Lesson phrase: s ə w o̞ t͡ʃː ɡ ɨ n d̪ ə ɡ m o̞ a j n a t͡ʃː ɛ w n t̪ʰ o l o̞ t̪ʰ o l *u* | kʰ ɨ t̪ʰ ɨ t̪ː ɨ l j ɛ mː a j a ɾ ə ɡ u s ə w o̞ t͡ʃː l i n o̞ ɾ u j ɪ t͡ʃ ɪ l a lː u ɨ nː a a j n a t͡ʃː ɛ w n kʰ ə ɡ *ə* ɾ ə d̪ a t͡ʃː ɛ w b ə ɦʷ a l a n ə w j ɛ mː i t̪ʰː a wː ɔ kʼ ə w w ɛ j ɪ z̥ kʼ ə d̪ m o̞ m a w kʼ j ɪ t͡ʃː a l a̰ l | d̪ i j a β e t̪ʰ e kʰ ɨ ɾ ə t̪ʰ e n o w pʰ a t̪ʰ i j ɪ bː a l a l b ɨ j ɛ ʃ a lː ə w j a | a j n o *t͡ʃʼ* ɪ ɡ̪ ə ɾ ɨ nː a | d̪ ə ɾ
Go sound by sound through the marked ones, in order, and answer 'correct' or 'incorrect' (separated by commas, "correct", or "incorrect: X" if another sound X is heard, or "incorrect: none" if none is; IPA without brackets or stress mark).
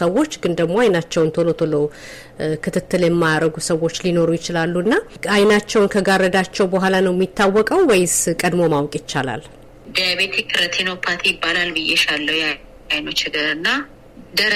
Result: incorrect: o, incorrect: a, incorrect: t͡ʃ